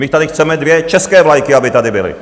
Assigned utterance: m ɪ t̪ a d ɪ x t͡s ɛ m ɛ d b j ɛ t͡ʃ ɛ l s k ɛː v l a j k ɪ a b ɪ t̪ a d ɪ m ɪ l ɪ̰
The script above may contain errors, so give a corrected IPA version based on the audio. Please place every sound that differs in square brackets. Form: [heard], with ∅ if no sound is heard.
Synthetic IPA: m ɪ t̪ a d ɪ x t͡s ɛ m ɛ d [v] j ɛ t͡ʃ ɛ [∅] s k ɛː v l a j k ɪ a b ɪ t̪ a d ɪ [b] ɪ l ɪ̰